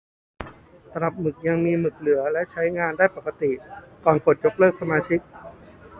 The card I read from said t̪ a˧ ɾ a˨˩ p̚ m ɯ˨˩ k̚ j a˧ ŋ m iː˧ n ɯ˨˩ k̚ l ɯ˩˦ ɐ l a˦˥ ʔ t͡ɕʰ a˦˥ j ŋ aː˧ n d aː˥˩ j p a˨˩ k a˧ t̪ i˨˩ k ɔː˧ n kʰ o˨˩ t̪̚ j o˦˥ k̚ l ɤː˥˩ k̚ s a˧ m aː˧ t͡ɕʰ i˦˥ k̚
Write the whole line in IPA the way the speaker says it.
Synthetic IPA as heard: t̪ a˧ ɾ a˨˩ p̚ m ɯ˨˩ k̚ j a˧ ŋ m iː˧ m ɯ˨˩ k̚ l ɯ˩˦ ɐ l ɛ˦˥ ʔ t͡ɕʰ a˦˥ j ŋ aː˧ n d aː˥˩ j p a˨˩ k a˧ t̪ i˨˩ k ɔː˨˩ n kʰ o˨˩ t̪̚ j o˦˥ k̚ l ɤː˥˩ k̚ s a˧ m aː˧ t͡ɕʰ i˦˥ k̚